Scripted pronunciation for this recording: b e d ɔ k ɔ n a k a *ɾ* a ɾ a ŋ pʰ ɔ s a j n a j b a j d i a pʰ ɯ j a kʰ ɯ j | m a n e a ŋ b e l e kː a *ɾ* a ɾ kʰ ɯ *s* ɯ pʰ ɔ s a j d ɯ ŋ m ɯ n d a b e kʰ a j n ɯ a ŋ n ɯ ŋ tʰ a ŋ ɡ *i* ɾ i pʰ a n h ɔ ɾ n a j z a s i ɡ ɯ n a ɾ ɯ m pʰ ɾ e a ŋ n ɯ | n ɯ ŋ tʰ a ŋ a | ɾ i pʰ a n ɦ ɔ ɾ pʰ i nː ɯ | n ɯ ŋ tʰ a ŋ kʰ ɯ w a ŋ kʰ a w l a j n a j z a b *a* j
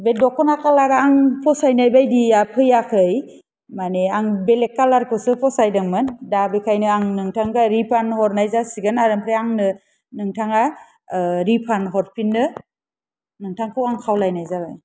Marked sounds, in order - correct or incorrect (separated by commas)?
incorrect, incorrect, correct, incorrect, correct